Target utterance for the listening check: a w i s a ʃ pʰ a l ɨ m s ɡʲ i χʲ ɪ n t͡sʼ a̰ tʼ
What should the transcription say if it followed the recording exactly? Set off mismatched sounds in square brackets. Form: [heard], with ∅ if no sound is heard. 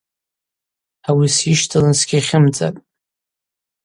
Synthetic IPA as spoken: a w i s [i] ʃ [tʰ] a l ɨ [n] s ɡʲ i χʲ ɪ [m] t͡sʼ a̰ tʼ